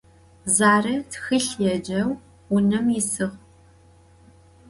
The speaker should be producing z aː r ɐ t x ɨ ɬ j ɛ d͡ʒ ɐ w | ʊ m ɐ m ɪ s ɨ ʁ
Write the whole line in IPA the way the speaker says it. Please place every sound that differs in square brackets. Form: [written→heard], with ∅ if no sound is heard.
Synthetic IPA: z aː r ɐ t x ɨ ɬ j ɛ d͡ʒ ɐ w | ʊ [m→n] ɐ m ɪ s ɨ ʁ